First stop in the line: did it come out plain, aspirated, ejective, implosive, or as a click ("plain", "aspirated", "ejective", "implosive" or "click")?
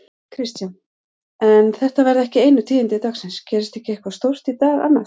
aspirated